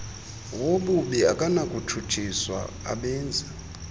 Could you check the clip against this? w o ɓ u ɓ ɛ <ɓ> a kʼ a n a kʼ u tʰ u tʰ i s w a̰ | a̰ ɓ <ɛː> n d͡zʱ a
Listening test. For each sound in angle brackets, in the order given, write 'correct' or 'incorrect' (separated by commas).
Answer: incorrect, correct